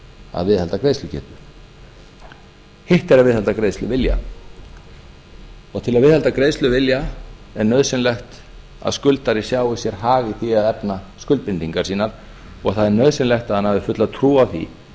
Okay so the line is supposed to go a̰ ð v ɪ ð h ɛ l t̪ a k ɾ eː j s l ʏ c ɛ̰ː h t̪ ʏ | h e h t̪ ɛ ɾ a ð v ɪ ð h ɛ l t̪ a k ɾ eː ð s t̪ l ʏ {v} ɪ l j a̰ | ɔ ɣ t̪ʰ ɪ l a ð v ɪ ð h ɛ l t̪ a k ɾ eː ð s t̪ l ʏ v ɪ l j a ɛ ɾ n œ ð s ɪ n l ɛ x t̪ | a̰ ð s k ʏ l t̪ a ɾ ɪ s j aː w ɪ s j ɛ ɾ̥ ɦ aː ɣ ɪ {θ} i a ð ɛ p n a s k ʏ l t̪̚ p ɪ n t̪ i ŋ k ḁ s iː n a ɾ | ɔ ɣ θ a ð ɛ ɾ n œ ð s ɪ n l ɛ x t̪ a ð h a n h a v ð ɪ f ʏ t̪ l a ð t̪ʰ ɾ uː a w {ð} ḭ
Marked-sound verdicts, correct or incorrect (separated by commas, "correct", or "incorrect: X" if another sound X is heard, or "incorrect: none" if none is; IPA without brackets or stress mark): correct, correct, incorrect: θ